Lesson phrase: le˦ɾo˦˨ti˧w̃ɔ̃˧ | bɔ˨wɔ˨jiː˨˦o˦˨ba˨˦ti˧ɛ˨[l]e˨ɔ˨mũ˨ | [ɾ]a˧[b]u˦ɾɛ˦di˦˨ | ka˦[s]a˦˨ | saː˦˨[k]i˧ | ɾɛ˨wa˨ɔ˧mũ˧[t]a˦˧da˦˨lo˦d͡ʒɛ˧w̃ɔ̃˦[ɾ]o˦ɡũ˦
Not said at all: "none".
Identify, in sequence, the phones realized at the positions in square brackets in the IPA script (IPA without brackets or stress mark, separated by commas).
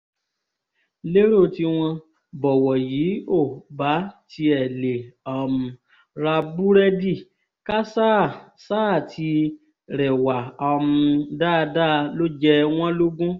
l, ɾ, b, s, t, d, l